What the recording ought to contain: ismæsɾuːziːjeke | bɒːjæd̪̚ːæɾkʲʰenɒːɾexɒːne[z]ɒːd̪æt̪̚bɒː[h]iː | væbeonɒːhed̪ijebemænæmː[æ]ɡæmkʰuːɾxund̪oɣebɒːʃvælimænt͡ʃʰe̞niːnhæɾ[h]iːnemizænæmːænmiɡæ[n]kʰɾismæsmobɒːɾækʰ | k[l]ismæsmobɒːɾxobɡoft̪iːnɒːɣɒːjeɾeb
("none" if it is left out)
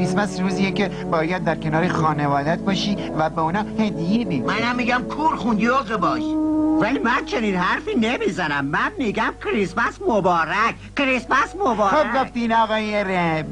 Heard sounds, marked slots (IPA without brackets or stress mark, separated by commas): v, ʃ, i, f, m, ɾ